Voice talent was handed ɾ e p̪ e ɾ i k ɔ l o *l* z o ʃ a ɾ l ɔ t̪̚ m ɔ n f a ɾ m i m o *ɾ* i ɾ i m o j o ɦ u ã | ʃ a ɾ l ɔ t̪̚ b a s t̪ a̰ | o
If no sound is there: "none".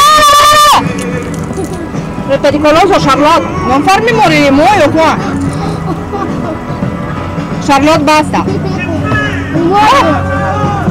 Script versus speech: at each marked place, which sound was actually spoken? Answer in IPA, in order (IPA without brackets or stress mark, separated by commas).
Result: none, ɾ